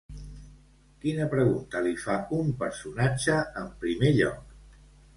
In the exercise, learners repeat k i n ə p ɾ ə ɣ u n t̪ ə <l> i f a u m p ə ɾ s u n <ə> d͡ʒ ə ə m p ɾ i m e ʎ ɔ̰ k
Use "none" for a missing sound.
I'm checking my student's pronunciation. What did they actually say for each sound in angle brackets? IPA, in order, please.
l, a

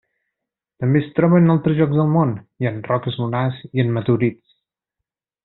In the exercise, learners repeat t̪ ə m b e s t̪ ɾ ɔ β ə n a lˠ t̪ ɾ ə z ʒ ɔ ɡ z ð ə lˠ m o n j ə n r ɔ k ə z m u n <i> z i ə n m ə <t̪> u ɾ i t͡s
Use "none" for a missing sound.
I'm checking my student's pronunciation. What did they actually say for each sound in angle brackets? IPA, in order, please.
a, t̪

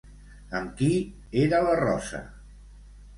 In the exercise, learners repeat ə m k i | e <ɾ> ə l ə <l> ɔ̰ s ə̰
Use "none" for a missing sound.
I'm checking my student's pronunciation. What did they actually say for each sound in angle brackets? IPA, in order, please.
ɾ, r

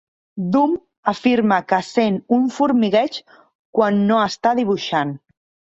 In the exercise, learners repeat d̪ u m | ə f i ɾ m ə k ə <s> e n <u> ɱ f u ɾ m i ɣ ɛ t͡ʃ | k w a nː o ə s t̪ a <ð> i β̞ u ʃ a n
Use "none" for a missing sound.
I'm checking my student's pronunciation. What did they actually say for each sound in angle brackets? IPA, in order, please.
s, u, ð

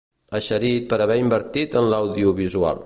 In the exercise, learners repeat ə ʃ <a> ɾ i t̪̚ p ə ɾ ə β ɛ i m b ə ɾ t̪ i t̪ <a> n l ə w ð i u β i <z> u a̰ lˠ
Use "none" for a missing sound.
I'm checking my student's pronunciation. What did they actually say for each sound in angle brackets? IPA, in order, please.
ə, ə, z

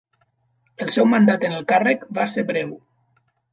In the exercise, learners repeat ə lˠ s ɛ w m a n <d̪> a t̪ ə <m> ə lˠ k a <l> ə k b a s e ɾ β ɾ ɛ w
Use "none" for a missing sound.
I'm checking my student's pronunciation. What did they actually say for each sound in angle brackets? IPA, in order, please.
d̪, n, r

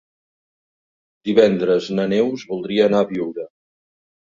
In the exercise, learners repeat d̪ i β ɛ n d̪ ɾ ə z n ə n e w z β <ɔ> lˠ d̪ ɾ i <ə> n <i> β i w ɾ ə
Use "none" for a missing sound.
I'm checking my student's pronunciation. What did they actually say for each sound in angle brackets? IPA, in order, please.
u, əː, a

